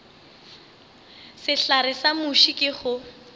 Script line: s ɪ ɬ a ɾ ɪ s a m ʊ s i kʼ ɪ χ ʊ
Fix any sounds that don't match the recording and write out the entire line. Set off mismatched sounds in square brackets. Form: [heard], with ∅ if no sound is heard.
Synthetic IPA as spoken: s ɪ ɬ a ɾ ɪ s a m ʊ [ʃ] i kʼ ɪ χ ʊ